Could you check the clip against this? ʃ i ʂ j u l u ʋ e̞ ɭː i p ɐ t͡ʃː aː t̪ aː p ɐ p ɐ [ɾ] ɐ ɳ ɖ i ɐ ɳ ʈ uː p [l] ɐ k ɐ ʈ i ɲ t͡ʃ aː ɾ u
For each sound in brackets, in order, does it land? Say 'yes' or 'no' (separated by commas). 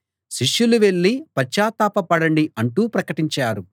no, no